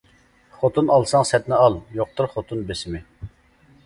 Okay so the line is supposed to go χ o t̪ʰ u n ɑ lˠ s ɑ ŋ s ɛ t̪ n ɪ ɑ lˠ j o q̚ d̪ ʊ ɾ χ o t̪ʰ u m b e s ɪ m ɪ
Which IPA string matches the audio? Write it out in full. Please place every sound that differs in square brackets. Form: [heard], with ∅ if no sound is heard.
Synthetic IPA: χ o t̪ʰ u n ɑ lˠ s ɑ ŋ s ɛ t̪ n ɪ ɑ lˠ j o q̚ [t̪] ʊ ɾ χ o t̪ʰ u [n] b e s ɪ m ɪ